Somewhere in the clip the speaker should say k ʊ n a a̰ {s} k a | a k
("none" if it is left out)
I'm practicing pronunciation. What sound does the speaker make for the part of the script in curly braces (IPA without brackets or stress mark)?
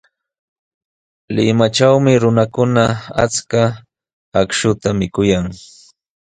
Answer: t͡s